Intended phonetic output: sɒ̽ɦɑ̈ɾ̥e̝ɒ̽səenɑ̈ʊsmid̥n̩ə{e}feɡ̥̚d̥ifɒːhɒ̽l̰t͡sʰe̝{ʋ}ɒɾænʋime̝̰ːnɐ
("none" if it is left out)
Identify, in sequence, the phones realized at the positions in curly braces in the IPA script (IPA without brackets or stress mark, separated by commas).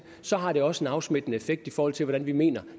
e, ʋ